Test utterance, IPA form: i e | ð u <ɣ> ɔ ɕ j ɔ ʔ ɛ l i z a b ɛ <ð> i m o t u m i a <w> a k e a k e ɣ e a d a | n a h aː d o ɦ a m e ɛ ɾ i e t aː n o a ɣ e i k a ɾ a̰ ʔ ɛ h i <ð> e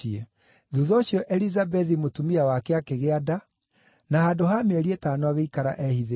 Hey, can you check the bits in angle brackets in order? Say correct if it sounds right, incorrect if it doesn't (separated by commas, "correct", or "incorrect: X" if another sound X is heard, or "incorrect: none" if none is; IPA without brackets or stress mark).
incorrect: ð, correct, correct, correct